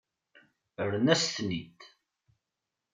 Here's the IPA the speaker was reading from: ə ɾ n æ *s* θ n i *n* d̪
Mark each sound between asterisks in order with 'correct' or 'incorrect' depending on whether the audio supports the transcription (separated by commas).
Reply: correct, incorrect